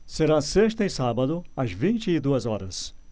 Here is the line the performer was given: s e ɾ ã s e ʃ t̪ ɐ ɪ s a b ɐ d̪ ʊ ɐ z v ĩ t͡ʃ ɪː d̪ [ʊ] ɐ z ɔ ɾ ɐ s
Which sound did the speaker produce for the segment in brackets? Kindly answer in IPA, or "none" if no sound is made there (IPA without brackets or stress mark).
u